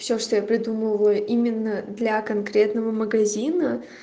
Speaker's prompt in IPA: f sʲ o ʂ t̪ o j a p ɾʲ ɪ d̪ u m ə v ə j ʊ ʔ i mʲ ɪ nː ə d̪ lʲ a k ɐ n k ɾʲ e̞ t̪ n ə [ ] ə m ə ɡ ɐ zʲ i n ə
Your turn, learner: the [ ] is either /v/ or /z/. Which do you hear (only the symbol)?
v